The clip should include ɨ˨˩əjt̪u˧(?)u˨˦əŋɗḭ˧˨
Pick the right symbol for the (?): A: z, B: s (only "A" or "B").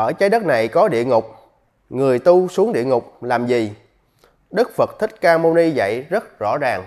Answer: B